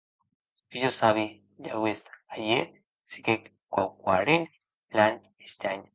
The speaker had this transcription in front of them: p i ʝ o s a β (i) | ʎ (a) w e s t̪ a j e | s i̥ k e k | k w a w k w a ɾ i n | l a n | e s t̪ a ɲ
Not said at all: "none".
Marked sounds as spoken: i, a

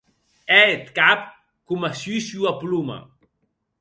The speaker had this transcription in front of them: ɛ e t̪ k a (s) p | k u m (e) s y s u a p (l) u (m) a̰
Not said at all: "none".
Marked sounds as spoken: none, a, l, m

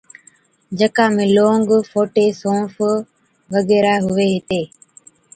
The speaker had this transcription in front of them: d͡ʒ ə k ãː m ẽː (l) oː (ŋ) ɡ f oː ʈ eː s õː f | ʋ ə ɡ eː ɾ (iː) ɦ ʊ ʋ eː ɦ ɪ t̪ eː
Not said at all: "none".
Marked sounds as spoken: l, ŋ, aː

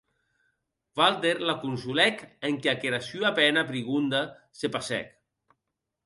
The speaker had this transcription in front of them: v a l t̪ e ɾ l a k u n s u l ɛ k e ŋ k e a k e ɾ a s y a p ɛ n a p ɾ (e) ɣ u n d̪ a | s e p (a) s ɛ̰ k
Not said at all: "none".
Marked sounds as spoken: i, a

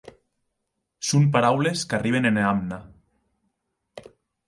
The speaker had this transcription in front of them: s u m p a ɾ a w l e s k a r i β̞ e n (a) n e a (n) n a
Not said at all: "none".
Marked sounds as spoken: e, m

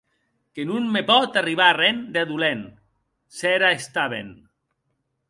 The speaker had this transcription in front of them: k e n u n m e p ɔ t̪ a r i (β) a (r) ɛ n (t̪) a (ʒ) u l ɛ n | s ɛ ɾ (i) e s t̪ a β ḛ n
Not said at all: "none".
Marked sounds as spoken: β, r, d̪, ð, a

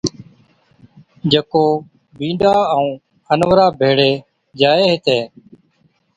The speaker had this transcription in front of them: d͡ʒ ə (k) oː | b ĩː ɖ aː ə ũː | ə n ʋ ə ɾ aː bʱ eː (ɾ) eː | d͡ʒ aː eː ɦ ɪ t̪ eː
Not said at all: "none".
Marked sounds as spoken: k, ɽ

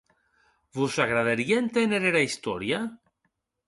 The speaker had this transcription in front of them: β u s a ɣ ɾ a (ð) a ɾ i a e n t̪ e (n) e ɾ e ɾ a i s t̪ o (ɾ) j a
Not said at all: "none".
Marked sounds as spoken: ð, n, ɾ

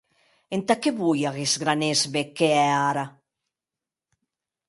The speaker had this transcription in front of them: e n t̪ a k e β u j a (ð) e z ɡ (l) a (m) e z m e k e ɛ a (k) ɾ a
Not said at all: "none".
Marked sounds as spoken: ɣ, ɾ, n, none

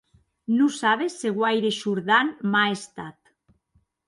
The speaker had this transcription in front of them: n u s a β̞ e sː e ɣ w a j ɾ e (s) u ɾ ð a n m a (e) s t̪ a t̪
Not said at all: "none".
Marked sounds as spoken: ʃ, e

